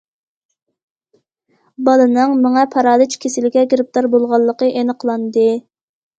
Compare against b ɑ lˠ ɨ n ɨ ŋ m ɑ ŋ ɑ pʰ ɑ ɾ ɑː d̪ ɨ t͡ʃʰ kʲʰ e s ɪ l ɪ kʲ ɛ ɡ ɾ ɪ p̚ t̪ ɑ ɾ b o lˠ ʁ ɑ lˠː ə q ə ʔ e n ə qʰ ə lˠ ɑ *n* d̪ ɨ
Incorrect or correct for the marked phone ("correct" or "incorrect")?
correct